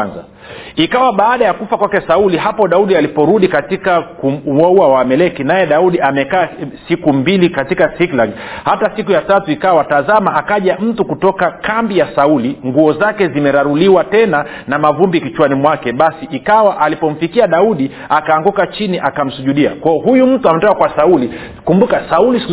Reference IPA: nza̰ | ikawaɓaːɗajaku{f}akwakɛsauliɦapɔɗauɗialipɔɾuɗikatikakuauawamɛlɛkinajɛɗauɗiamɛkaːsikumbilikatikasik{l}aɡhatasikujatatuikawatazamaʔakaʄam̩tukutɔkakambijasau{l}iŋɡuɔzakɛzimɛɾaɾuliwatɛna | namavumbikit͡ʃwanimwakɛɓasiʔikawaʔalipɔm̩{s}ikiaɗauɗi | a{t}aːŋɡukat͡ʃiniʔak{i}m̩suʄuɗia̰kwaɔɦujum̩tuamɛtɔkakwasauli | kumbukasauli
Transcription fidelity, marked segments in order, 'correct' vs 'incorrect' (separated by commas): correct, correct, correct, incorrect, incorrect, incorrect